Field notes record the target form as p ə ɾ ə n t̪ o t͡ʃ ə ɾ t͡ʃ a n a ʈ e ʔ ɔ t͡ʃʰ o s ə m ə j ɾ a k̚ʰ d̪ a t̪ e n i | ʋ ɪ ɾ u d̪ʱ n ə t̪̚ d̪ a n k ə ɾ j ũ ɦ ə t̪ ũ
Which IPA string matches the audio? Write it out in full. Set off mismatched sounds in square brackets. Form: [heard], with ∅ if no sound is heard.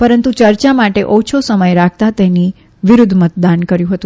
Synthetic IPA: p ə ɾ ə n t̪ [u] t͡ʃ ə ɾ t͡ʃ a [m] a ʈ e ʔ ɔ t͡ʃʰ o s ə m ə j ɾ a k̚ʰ [t̪] a t̪ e n i | ʋ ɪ ɾ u d̪ʱ [m] ə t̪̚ d̪ a n k ə ɾ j ũ ɦ ə t̪ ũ